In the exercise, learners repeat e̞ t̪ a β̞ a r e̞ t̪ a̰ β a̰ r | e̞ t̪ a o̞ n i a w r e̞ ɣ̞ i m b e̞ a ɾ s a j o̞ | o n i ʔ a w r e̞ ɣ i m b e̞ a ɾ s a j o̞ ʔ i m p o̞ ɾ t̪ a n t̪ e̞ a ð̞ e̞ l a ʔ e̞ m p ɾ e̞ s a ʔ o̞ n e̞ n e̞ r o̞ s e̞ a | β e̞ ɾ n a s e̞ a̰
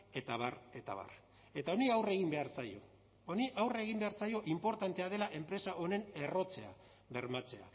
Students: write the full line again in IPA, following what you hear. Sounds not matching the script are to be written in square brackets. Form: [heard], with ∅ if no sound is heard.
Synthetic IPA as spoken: e̞ t̪ a β̞ a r e̞ t̪ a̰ β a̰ r | e̞ t̪ a o̞ n i a w r e̞ ɣ̞ i m b e̞ a ɾ s a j o̞ | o n i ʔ a w r e̞ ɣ i m b e̞ a ɾ s a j o̞ ʔ i m p o̞ ɾ t̪ a n t̪ e̞ a ð̞ e̞ l a ʔ e̞ m p ɾ e̞ s a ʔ o̞ n e̞ n e̞ r o̞ [t͡s] e̞ a | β e̞ ɾ [m] a [t͡s] e̞ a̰